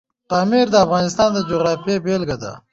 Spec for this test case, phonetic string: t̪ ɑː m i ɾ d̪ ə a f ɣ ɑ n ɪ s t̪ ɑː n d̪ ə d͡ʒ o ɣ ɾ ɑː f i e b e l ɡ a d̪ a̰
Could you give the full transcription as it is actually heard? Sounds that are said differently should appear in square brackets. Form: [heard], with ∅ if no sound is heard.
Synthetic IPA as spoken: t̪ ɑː m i ɾ d̪ ə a f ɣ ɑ n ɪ s t̪ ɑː n d̪ ə d͡ʒ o ɣ ɾ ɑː f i e b e l ɡ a d̪ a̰

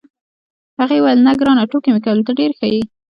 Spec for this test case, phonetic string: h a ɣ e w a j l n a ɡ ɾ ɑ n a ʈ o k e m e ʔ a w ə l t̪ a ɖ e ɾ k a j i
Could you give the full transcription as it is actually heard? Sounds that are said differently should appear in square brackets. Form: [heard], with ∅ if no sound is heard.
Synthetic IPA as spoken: h a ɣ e w a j l n a ɡ ɾ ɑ n a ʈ o k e m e [k] a w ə l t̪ a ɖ e ɾ [x] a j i

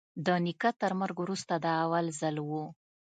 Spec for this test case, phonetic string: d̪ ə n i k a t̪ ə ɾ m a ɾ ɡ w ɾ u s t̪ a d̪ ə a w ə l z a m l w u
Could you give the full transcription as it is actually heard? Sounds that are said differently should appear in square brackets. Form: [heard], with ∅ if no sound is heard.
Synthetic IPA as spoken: d̪ ə n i k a t̪ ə ɾ m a ɾ ɡ w ɾ u s t̪ a d̪ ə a w [a] l z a [∅] l w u

